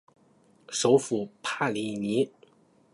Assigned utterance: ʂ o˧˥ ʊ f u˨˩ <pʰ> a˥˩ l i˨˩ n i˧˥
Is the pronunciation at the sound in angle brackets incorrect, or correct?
correct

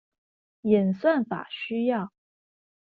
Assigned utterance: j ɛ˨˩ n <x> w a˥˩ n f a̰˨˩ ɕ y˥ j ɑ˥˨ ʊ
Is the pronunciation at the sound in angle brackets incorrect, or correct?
incorrect: s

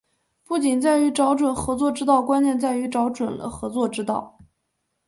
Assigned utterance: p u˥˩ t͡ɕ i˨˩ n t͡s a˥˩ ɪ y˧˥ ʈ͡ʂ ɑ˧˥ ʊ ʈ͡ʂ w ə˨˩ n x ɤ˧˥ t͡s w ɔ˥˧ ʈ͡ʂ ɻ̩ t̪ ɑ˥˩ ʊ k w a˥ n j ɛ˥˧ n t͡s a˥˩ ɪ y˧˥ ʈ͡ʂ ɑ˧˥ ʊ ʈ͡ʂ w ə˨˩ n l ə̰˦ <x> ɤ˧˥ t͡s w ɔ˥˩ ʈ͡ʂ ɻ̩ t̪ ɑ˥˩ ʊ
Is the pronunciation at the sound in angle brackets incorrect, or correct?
correct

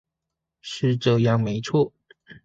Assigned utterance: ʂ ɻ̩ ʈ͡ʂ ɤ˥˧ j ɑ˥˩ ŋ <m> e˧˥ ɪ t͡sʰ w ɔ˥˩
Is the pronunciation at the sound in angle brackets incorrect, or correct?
correct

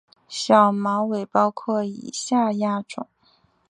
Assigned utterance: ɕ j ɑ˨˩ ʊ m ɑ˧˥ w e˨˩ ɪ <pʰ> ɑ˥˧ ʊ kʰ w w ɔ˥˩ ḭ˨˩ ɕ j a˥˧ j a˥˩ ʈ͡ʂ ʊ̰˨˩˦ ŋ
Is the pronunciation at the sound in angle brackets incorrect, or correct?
incorrect: p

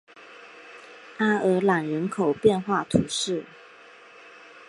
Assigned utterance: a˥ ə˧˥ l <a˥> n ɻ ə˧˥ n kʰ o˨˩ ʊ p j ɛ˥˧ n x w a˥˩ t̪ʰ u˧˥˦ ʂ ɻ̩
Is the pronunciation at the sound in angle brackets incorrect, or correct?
incorrect: a˨˩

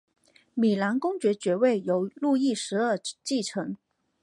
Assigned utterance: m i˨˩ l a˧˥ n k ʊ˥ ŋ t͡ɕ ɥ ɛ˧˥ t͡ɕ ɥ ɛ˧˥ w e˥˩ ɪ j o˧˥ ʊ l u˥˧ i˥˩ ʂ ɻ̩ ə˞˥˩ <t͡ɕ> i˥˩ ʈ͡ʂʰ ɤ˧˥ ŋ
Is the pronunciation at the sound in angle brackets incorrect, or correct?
correct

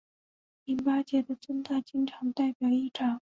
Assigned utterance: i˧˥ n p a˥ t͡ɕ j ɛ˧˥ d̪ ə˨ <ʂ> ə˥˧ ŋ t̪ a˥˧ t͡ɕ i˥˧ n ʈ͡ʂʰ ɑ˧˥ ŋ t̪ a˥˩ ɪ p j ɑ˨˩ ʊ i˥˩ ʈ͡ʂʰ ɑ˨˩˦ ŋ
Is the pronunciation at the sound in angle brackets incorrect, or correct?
incorrect: ʈ͡ʂ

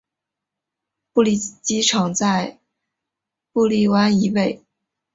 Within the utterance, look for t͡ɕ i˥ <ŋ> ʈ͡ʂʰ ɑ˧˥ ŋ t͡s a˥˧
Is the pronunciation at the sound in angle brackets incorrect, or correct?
incorrect: none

